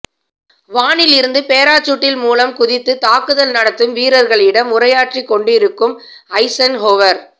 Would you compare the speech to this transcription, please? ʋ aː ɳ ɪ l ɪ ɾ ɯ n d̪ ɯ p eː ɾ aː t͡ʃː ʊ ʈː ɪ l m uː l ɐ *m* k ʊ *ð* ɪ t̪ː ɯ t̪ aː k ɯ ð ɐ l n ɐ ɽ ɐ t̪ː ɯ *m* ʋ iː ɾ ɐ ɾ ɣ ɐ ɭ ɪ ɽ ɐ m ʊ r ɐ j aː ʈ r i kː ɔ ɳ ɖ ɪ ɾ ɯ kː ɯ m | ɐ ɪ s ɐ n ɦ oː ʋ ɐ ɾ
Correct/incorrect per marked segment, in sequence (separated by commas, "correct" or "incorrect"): correct, correct, correct